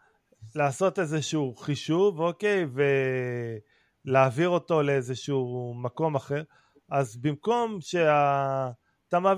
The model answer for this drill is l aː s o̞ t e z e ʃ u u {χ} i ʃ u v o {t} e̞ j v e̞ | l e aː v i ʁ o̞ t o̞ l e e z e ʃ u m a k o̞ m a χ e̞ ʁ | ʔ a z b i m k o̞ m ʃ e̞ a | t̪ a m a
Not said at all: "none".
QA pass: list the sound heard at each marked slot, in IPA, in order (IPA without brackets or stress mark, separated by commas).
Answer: χ, k